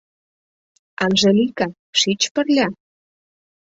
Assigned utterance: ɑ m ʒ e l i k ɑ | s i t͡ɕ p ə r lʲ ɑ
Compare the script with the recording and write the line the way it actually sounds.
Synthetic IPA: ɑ n ʒ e l i k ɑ | ʃ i t͡ɕ p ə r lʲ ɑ